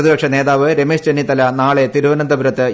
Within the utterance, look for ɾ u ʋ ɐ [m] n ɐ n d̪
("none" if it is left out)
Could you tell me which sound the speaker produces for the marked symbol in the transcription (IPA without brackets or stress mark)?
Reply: none